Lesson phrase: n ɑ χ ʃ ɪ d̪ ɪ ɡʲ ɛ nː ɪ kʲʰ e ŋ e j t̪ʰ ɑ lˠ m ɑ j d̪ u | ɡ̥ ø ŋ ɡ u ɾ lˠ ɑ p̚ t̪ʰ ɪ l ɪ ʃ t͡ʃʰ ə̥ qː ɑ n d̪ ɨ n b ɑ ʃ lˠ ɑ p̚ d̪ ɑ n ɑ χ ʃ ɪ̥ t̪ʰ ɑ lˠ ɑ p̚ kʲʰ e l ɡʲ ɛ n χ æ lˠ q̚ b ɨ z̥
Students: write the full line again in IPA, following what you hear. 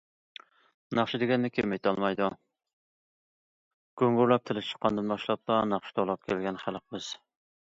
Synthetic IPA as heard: n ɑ χ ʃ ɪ d̪ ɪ ɡʲ ɛ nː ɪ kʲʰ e m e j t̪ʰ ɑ lˠ m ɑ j d̪ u | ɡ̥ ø ŋ ɡ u ɾ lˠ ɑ p̚ t̪ʰ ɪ l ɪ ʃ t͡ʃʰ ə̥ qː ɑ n d̪ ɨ n b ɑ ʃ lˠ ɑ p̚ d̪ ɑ n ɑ χ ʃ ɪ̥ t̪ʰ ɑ lˠ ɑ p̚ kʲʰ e l ɡʲ ɛ n χ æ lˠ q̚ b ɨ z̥